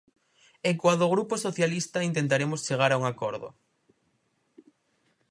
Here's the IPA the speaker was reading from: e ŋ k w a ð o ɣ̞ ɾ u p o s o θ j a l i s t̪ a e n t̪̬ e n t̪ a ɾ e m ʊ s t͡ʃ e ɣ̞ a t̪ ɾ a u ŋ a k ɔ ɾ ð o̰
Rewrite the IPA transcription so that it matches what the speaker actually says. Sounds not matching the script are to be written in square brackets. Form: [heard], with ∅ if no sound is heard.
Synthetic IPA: e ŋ k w a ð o ɣ̞ ɾ u p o s o θ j a l i s t̪ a [i] n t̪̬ e n t̪ a ɾ e m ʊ s t͡ʃ e ɣ̞ a [∅] ɾ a u ŋ a k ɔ ɾ ð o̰

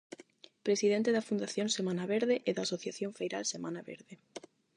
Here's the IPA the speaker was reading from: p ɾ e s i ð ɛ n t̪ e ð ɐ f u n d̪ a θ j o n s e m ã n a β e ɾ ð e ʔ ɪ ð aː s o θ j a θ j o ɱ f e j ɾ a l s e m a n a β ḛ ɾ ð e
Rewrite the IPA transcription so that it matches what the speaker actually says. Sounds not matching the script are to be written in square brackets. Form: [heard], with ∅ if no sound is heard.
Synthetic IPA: p ɾ e s i ð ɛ n t̪ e ð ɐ f u n d̪ a θ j o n s e m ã n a β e ɾ ð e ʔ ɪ ð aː s o θ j a θ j o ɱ f e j ɾ a l s e m a n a β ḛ ɾ ð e

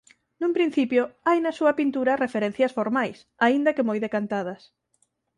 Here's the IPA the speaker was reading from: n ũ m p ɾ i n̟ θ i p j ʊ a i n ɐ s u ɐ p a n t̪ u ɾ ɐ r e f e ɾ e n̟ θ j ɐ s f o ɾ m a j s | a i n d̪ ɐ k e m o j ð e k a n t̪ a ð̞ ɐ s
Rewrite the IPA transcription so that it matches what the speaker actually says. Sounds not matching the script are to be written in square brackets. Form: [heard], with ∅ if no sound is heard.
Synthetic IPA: n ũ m p ɾ i n̟ θ i p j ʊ a [j] n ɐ s u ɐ p [i] n t̪ u ɾ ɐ r e f e ɾ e n̟ θ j ɐ s f o ɾ m a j s | a i n d̪ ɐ k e m o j ð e k a n t̪ a ð̞ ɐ s

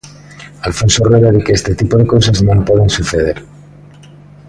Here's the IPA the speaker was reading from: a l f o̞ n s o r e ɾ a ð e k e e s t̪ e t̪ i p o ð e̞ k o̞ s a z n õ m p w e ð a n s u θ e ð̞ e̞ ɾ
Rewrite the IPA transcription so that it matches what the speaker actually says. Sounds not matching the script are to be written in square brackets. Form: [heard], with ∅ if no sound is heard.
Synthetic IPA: a l f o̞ n s o r e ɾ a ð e k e e s t̪ e t̪ i p o ð e̞ k o̞ s a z n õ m p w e ð [e] n s u θ e ð̞ e̞ ɾ

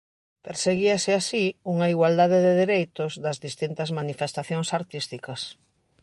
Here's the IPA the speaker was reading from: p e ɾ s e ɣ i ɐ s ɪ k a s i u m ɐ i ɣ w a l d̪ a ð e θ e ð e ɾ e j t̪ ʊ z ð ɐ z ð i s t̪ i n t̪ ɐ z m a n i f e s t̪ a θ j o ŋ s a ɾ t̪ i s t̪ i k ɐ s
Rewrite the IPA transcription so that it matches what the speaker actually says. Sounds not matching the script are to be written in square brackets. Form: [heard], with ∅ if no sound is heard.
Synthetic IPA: p e ɾ s e ɣ i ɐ s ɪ [∅] a s i u [ŋ] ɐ i ɣ w a l d̪ a ð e [ð] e ð e ɾ e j t̪ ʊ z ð ɐ z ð i s t̪ i n t̪ ɐ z m a n i f e s t̪ a θ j o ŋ s a ɾ t̪ i s t̪ i k ɐ s

